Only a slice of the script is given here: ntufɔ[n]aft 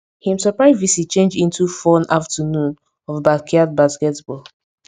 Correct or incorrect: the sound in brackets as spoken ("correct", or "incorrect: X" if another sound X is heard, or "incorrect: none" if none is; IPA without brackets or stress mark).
correct